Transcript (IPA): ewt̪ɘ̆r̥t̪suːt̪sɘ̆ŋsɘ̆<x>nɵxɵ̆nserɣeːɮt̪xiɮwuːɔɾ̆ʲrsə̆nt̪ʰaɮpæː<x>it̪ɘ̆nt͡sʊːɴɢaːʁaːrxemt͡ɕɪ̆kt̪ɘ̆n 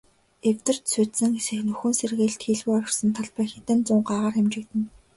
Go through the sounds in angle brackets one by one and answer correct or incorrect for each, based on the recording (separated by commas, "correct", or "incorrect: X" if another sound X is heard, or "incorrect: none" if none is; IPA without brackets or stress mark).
correct, correct